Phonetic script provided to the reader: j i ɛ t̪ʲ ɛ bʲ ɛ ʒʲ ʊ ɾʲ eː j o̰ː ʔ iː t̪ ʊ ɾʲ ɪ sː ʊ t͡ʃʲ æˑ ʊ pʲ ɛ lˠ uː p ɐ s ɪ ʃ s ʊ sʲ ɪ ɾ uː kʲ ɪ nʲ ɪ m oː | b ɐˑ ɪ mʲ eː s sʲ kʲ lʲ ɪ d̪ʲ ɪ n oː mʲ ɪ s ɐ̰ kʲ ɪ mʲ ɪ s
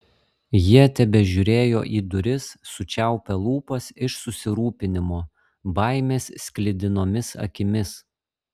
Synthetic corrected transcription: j i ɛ t̪ʲ ɛ bʲ ɛ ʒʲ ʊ ɾʲ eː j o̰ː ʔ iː d̪ ʊ ɾʲ ɪ sː ʊ t͡ʃʲ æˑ ʊ pʲ ɛ lˠ uː p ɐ s ɪ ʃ s ʊ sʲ ɪ ɾ uː pʲ ɪ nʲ ɪ m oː | b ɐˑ ɪ mʲ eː s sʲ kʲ lʲ ɪ d̪ʲ ɪ n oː mʲ ɪ s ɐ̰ kʲ ɪ mʲ ɪ s